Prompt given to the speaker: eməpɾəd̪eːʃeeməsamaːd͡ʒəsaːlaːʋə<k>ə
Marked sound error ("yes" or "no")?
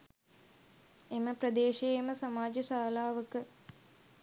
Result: no